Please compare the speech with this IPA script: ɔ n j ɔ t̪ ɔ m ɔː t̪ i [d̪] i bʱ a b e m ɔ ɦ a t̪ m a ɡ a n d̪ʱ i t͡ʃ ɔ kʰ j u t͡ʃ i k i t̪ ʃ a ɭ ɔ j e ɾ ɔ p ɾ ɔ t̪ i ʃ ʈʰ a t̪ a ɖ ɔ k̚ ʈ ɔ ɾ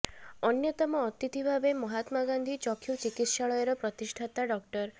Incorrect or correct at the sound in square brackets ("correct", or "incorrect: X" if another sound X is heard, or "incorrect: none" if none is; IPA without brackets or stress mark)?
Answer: incorrect: t̪